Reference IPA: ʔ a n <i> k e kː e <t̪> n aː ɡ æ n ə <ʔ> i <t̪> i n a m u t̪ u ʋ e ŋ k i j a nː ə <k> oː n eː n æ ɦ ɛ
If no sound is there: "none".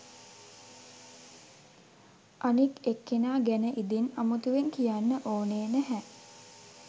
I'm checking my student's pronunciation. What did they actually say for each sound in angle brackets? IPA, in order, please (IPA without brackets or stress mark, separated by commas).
i, none, ʔ, d̪, ʔ